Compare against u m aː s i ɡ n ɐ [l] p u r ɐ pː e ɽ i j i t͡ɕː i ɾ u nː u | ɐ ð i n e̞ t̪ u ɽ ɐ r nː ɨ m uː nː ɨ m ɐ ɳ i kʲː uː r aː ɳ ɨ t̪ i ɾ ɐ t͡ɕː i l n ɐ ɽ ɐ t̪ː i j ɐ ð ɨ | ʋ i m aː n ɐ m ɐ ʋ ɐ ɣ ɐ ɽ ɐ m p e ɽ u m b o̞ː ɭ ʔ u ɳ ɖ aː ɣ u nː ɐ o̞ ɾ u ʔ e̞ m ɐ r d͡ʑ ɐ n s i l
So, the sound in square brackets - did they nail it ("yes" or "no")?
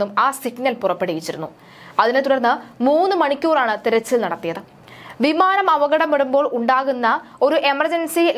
yes